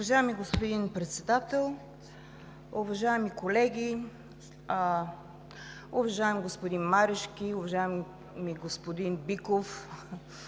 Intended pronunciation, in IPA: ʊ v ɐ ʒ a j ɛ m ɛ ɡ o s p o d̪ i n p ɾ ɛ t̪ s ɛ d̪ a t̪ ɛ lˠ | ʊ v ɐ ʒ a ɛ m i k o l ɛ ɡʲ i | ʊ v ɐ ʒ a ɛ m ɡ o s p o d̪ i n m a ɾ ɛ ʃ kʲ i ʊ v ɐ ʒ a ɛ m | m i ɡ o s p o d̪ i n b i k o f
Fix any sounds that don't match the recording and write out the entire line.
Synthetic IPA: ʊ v ɐ ʒ a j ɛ m i ɡ o s p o d̪ i n p ɾ ɛ t̪ s ɛ d̪ a t̪ ɛ lˠ | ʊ v ɐ ʒ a ɛ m i k o l ɛ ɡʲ i | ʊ v ɐ ʒ a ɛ m ɡ o s p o d̪ i n m a ɾ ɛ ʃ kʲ i ʊ v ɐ ʒ a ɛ m | m i ɡ o s p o d̪ i n b i k o f